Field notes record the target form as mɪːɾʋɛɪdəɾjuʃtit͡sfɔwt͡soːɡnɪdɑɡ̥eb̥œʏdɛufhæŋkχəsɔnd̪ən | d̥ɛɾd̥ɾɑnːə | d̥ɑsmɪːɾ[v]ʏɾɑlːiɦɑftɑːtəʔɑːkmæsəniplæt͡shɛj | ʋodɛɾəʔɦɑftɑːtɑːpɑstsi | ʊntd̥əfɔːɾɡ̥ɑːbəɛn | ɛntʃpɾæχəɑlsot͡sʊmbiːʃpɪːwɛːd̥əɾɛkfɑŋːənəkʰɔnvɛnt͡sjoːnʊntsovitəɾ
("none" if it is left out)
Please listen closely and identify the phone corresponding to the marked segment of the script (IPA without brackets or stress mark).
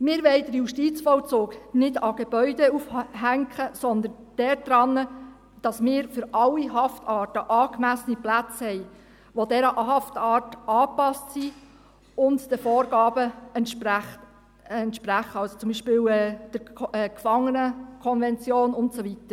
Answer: f